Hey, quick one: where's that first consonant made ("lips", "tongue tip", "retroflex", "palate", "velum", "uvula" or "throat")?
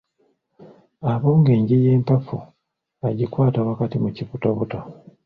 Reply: lips